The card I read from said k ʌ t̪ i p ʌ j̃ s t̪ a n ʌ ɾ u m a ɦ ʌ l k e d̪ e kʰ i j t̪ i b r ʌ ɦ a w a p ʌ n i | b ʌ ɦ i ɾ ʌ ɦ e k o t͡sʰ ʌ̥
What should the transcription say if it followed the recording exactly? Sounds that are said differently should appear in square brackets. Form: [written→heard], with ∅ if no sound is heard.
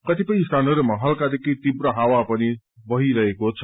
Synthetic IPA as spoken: k ʌ t̪ i p ʌ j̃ s t̪ a n ʌ ɾ u m a ɦ ʌ l k [e→a] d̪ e [kʰ→k] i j t̪ i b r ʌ ɦ a w a p ʌ n i | b ʌ ɦ i ɾ ʌ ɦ e k o t͡sʰ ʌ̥